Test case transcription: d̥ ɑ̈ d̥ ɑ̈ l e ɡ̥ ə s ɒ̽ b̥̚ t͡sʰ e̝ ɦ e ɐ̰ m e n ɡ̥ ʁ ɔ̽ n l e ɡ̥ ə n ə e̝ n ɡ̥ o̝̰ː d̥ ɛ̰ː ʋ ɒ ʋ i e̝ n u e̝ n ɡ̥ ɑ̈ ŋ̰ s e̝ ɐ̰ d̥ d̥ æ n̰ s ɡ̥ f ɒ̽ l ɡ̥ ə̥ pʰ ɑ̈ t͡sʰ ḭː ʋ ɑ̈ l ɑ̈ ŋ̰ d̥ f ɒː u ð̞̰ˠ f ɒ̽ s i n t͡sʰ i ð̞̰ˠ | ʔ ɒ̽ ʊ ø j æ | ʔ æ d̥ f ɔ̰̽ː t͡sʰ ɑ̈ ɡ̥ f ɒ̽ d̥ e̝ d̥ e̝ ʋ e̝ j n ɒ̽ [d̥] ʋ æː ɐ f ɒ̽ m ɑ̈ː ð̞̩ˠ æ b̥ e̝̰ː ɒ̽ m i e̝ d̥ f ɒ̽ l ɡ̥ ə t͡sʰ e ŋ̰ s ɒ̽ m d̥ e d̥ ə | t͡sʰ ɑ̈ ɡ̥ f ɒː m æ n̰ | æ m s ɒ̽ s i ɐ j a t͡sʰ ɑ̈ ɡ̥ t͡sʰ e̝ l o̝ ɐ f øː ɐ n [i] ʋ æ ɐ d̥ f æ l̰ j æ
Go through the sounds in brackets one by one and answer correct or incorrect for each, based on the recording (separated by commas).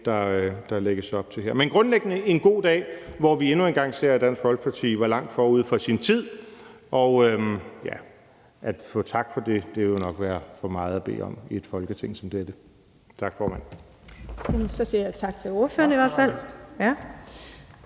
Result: incorrect, correct